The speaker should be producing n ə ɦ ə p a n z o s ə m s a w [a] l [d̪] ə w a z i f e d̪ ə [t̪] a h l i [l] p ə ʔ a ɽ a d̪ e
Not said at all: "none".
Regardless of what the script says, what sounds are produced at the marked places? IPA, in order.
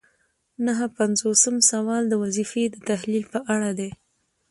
ɑ, d̪, t̪, l

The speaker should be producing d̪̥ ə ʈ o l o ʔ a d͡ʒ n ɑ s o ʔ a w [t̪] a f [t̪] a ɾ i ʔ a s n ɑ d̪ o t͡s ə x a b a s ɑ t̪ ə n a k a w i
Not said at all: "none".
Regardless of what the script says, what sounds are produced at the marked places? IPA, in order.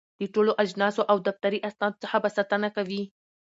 d̪, t̪

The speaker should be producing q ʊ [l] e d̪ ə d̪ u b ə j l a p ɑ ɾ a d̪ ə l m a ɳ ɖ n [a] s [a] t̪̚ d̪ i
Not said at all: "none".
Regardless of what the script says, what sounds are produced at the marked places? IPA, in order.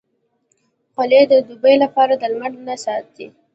l, a, ɑ

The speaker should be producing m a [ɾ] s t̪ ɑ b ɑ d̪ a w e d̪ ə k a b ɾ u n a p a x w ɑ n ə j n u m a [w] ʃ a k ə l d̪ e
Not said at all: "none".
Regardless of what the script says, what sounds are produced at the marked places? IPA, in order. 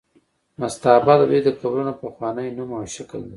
none, w

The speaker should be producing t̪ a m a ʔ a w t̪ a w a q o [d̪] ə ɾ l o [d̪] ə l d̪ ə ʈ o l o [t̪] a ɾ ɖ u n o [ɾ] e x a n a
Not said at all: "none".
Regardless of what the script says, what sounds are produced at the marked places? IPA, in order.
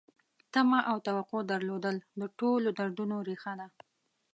d̪, d̪, d̪, ɾ

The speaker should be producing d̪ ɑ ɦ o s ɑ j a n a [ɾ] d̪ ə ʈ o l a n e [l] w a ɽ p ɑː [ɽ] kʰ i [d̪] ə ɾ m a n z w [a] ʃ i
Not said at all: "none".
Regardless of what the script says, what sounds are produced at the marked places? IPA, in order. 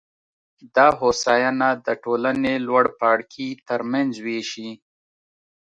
none, l, ɽ, t̪, e

